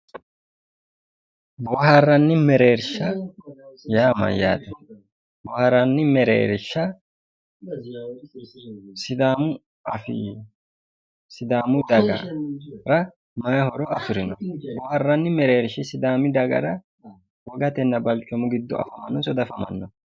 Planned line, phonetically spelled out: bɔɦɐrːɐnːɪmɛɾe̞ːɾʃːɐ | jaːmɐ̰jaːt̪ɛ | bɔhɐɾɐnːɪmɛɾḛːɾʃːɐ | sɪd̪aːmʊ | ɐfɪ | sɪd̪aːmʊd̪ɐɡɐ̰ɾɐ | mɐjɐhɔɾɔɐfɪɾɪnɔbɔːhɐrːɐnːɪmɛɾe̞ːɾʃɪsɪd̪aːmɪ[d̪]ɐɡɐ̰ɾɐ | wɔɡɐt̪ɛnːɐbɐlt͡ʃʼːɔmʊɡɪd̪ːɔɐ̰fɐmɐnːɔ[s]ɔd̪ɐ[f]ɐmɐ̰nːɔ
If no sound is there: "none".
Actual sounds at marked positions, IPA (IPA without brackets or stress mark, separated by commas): d̪, s, f